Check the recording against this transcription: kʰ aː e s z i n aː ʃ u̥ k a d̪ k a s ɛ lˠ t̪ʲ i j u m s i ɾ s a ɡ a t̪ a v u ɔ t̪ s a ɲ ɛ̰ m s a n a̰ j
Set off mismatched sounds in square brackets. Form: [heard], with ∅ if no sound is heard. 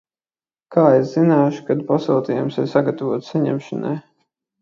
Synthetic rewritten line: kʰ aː e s z i n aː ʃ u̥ k a d̪ [p] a s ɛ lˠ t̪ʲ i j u m s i ɾ s a ɡ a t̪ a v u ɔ t̪ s a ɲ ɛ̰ m [ʃ] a n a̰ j